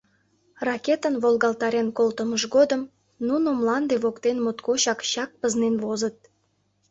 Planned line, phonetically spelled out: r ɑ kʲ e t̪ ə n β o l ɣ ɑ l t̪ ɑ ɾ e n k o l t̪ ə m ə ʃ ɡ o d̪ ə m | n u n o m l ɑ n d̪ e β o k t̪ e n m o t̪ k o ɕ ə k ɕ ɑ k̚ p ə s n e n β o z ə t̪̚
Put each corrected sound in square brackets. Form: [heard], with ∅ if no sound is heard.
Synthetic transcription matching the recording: r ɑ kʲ e t̪ ə n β o l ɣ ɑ l t̪ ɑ ɾ e n k o l t̪ ə m ə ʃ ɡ o d̪ ə m | n u n o m l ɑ n d̪ e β o k t̪ e n m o t̪ k o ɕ [ɑ] k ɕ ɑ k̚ p ə [z] n e n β o z ə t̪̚